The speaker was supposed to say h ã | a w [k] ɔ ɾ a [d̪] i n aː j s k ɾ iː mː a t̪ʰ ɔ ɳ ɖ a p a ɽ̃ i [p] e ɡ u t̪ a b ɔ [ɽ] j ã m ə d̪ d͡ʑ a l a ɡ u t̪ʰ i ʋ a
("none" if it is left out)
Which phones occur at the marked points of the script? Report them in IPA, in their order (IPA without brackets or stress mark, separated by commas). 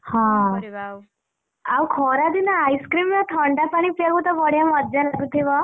kʰ, d̪, p, ɽ